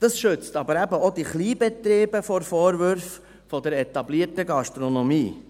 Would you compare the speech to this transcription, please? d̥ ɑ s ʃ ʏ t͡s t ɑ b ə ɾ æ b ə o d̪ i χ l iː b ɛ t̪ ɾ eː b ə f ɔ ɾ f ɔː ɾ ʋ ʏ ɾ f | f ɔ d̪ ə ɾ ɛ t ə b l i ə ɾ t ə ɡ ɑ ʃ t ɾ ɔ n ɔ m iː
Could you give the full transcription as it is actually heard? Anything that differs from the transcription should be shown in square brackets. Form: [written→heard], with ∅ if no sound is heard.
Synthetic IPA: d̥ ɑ s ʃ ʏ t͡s t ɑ b ə ɾ æ b ə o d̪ i χ l iː b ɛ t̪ ɾ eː b ə f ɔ ɾ f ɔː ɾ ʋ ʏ ɾ f | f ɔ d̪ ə ɾ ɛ t [ə→ɑ] b l i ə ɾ t ə ɡ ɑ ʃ t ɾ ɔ n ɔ m iː